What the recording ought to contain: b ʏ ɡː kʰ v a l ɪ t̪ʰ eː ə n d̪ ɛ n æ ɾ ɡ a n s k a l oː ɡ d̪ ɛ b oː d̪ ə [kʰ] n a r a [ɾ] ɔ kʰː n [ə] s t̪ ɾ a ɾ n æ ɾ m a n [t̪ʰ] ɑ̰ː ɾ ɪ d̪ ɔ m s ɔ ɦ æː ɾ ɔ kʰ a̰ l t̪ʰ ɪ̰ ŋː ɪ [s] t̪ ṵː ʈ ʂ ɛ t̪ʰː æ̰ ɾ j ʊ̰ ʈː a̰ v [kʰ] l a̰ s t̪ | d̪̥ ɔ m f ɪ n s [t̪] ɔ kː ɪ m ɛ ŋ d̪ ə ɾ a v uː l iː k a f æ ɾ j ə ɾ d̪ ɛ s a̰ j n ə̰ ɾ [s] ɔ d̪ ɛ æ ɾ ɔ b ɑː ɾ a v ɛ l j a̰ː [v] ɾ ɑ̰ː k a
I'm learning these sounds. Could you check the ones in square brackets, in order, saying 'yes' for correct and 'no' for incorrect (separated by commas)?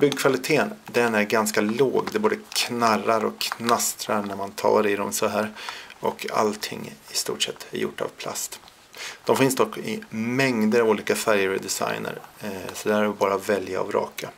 yes, yes, no, yes, yes, no, no, yes, yes